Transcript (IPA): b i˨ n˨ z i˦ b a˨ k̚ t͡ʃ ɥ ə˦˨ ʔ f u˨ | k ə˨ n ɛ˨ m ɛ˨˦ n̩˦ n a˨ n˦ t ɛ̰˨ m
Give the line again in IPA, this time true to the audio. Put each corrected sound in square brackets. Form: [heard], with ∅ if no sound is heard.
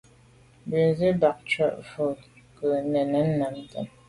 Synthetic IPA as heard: b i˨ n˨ z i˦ b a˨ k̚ t͡ʃ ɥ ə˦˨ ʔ f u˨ | k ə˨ n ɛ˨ [n] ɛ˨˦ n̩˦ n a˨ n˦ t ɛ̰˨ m